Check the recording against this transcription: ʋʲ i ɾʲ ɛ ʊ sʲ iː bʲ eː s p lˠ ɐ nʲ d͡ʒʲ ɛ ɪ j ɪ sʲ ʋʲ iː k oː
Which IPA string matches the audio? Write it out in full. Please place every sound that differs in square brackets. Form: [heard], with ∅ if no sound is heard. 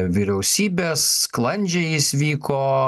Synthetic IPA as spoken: ʋʲ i ɾʲ ɛ ʊ sʲ iː bʲ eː s [k] lˠ ɐ nʲ d͡ʒʲ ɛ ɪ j ɪ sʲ ʋʲ iː k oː